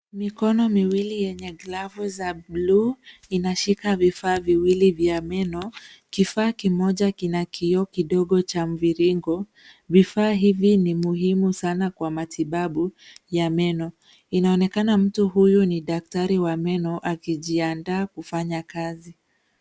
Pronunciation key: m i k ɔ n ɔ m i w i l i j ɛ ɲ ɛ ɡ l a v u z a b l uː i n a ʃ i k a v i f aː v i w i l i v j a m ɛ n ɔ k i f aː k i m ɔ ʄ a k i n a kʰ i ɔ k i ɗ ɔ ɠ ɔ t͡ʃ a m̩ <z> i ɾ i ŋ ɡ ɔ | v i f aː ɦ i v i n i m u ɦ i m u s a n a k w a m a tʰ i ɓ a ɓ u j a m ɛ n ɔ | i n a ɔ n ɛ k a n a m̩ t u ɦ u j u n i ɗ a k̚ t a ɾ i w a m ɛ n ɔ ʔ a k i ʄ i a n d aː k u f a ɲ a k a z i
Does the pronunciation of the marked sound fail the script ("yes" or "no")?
yes